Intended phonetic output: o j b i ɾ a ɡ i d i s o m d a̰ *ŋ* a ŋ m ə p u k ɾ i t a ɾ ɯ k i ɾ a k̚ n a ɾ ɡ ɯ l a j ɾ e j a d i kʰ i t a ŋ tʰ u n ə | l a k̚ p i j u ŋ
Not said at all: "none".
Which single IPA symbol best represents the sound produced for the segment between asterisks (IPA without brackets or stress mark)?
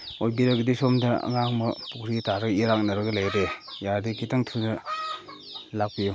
ŋ